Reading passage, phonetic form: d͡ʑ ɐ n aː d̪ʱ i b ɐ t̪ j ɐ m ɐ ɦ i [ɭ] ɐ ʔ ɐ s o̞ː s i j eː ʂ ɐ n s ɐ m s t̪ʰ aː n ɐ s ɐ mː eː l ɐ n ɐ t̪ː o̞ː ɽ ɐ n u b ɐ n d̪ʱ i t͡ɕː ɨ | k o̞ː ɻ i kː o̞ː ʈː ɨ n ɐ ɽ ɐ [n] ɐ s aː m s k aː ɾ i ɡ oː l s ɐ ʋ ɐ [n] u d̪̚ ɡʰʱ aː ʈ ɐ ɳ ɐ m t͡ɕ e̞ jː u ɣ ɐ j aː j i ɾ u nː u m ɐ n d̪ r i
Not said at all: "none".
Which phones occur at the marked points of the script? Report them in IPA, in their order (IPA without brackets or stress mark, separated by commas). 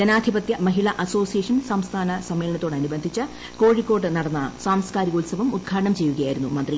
ɭ, nː, m